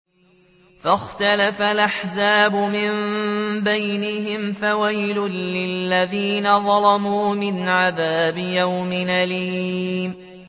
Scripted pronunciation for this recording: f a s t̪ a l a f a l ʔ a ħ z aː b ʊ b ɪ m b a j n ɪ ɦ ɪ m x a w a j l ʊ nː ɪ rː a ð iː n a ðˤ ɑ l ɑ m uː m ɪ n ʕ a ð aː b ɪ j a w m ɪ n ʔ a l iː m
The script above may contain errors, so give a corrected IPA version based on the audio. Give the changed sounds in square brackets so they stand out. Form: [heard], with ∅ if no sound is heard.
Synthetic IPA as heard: f a [x] t̪ a l a f a l ʔ a ħ z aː b ʊ [m] ɪ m b a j n ɪ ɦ ɪ m [f] a w a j l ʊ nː ɪ [lː] a ð iː n a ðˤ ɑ l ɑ m uː m ɪ n ʕ a ð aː b ɪ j a w m ɪ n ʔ a l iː m